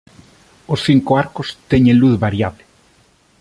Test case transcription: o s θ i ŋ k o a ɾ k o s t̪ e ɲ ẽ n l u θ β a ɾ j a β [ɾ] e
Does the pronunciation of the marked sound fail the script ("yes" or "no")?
yes